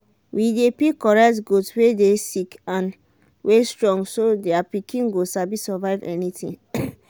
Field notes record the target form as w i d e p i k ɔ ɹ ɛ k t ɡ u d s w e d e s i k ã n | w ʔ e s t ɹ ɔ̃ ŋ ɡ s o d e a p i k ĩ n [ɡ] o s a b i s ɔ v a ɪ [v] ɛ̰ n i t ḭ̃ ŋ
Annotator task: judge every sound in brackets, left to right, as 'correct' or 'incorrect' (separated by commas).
correct, correct